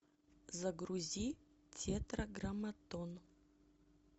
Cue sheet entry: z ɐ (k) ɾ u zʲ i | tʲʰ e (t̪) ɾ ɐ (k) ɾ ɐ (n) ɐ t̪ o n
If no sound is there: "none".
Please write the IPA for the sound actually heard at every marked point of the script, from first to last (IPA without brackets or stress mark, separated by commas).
ɡ, t̪, ɡ, m